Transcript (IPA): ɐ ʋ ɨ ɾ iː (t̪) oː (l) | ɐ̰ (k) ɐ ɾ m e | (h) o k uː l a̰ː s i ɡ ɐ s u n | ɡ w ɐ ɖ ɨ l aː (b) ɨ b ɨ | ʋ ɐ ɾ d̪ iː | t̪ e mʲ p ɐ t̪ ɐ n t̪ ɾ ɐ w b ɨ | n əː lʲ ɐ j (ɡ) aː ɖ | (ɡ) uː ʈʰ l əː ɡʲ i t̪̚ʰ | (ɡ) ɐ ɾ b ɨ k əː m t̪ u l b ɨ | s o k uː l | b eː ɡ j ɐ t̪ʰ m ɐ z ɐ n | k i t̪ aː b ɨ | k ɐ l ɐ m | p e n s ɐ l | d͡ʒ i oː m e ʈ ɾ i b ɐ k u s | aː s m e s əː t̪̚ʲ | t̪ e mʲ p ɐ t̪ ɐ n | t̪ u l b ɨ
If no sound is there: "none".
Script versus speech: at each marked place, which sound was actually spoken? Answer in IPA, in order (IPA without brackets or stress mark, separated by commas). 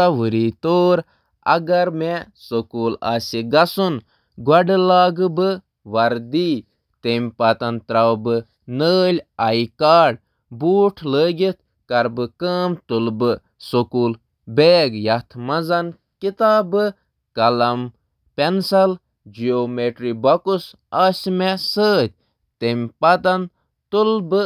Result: t̪, ɾ, ɡ, s, ɡ, k, b, k